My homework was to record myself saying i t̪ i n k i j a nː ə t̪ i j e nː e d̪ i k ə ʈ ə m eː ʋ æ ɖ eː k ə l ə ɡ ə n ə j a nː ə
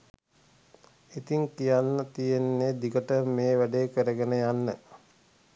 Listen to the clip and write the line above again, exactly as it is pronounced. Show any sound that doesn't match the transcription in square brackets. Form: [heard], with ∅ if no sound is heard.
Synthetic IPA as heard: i t̪ i [ŋ] k i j a nː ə t̪ i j e nː e d̪ i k ə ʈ ə m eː ʋ æ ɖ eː k ə [ɾ] ə ɡ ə n ə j a nː ə